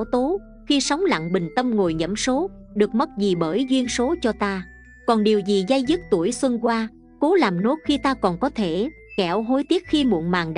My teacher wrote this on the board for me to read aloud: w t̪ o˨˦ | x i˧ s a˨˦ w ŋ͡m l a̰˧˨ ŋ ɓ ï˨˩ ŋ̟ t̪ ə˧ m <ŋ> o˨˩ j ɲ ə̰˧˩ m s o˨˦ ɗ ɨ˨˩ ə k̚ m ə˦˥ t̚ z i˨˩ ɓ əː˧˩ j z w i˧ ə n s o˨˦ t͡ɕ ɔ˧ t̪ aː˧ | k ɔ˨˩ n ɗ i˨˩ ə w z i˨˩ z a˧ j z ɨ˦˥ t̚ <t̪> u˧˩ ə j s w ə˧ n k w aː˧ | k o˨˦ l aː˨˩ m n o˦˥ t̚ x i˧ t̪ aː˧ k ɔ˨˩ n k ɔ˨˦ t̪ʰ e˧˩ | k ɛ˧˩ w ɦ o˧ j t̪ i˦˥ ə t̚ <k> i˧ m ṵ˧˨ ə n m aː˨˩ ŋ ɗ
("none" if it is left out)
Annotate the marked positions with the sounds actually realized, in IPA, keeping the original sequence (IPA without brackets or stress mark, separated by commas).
ŋ, t̪, x